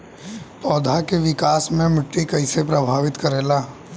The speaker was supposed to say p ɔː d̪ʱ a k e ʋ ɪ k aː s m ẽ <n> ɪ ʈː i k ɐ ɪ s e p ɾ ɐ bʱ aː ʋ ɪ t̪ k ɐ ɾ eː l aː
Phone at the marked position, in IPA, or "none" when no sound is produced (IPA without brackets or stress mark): m